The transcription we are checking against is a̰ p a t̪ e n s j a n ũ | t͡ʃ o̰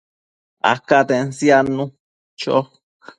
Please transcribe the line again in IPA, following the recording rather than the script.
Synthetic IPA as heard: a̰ k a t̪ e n s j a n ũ | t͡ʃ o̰